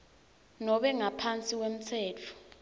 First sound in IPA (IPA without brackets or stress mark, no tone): n